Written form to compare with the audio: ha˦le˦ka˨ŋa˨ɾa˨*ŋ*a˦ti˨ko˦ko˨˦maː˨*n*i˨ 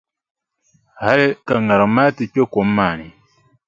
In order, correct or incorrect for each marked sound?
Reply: incorrect: m, correct

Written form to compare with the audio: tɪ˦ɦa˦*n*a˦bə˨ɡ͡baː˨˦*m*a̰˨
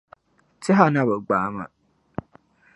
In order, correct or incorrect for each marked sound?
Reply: correct, correct

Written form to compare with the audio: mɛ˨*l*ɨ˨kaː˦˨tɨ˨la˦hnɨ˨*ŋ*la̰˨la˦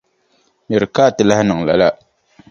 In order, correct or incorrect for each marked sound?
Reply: incorrect: ɾ, correct

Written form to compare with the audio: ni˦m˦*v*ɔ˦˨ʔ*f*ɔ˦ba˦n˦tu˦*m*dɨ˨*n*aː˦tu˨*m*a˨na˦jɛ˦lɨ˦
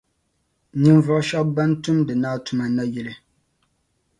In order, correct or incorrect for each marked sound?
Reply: correct, incorrect: ʃ, correct, correct, correct

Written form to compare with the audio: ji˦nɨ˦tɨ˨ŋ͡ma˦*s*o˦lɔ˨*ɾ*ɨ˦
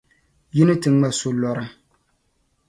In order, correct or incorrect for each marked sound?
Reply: correct, correct

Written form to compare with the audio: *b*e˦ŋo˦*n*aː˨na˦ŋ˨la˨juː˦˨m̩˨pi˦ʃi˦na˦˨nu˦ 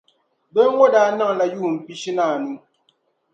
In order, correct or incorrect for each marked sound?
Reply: correct, incorrect: d

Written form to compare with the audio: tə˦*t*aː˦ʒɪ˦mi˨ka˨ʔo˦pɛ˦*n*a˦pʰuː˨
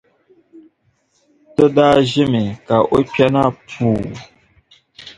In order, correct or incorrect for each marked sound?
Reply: incorrect: d, correct

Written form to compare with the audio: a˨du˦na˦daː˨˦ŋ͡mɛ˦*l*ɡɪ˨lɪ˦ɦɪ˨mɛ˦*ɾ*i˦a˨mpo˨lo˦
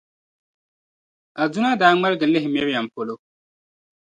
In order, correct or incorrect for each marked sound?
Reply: correct, correct

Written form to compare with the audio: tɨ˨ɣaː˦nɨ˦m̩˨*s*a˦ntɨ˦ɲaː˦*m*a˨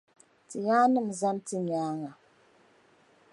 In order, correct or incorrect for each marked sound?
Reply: incorrect: z, incorrect: ŋ

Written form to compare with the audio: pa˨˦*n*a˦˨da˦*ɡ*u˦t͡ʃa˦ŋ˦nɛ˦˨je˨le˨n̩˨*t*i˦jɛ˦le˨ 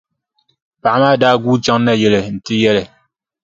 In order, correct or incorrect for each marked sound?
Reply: incorrect: m, correct, correct

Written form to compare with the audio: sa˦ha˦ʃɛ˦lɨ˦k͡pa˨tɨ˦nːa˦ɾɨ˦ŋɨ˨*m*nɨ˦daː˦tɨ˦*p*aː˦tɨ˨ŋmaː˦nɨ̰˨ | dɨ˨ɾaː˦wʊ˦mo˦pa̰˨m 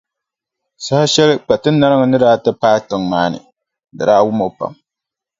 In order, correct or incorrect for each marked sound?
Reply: incorrect: none, correct

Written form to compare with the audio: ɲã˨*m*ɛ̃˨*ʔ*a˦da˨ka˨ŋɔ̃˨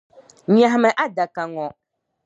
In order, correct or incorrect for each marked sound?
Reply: correct, correct

